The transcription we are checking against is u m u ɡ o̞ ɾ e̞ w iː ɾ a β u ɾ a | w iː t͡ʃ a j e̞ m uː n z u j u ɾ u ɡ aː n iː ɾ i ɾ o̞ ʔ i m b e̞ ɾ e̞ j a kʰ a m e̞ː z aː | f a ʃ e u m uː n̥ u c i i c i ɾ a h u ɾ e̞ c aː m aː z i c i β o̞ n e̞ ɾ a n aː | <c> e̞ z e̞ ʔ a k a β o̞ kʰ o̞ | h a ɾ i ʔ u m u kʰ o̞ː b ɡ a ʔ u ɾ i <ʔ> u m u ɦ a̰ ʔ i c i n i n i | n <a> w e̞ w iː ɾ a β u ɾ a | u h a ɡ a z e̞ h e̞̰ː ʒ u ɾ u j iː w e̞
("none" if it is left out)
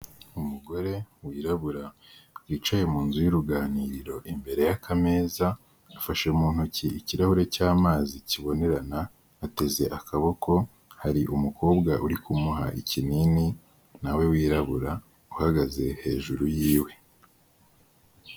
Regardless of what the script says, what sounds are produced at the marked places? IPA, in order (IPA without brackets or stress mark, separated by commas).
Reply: t, k, a